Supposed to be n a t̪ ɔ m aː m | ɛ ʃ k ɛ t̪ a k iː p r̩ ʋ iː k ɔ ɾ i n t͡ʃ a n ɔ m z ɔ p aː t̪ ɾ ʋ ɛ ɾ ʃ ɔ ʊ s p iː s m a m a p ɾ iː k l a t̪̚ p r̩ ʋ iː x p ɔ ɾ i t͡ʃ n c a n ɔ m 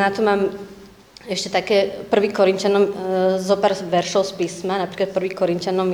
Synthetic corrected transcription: n a t̪ ɔ m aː m | ɛ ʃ c ɛ t̪ a k ɛː p r̩ ʋ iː k ɔ ɾ i n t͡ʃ a n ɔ m z ɔ p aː ɾ ʋ ɛ ɾ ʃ ɔ ʊ s p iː s m a n a p ɾ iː k l a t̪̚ p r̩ ʋ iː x k ɔ ɾ i n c a n ɔ m